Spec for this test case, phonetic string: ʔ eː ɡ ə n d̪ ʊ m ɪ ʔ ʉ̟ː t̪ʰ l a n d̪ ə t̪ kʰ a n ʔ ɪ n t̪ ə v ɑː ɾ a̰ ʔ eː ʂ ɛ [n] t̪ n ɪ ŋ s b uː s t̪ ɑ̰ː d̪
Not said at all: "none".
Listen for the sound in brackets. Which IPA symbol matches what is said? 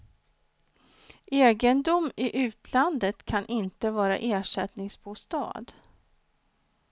none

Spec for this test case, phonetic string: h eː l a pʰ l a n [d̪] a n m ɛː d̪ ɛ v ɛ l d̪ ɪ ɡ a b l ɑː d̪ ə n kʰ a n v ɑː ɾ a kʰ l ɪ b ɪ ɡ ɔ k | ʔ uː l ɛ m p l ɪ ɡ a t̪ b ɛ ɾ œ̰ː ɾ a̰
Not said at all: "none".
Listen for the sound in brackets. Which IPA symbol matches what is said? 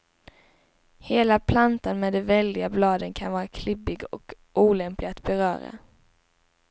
t̪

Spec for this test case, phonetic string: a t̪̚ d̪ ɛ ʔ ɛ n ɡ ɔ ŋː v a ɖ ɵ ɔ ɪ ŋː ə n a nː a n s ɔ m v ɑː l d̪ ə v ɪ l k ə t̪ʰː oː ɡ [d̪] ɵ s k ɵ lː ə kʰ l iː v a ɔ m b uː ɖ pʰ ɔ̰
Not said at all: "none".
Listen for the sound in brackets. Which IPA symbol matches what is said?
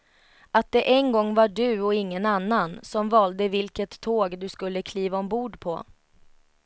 d̪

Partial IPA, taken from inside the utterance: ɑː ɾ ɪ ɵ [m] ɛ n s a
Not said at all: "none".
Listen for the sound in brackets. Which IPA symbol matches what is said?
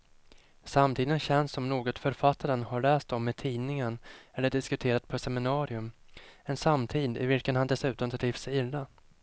m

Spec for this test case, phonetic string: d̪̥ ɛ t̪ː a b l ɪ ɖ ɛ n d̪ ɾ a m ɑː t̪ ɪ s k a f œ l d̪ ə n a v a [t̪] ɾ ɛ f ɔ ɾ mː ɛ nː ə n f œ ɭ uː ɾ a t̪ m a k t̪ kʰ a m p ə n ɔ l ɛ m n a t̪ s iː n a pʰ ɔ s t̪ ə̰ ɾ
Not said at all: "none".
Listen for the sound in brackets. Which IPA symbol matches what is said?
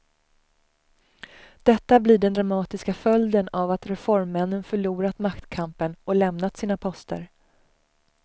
t̪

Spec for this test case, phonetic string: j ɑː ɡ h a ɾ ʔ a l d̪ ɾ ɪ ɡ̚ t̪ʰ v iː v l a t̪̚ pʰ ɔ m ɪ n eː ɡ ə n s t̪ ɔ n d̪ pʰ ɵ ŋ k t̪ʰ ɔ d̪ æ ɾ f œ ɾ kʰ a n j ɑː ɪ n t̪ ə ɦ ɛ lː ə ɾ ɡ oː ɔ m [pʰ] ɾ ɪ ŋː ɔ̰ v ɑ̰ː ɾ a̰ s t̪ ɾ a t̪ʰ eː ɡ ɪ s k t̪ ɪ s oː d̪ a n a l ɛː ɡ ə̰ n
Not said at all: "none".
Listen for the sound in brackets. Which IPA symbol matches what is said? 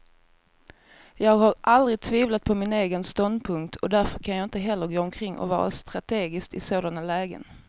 kʰ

